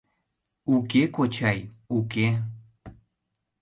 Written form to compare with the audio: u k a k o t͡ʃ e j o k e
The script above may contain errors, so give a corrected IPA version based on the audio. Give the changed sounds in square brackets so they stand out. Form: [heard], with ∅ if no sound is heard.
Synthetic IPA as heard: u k [e] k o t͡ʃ [a] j [u] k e